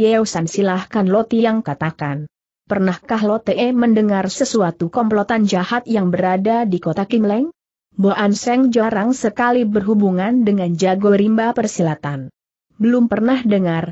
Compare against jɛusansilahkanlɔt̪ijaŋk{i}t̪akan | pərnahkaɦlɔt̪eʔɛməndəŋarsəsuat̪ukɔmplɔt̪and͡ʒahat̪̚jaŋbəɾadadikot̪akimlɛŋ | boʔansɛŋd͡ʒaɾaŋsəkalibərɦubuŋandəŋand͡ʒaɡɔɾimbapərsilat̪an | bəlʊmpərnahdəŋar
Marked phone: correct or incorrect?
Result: incorrect